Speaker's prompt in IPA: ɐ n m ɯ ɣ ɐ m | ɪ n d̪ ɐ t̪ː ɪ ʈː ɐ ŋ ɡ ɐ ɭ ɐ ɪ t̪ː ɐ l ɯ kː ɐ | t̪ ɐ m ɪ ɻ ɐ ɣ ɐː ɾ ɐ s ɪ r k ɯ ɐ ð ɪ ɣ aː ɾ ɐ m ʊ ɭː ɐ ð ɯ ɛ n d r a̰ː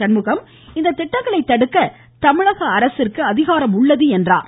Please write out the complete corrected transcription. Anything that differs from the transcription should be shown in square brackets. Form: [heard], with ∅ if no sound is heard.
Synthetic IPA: ɐ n m ɯ ɣ ɐ m | ɪ n d̪ ɐ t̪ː ɪ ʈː ɐ ŋ ɡ ɐ ɭ ɐ ɪ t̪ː ɐ [ɽ] ɯ kː ɐ | t̪ ɐ m ɪ ɻ ɐ ɣ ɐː ɾ ɐ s ɪ r k ɯ ɐ ð ɪ ɣ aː ɾ ɐ m ʊ ɭː ɐ ð ɯ ɛ n d r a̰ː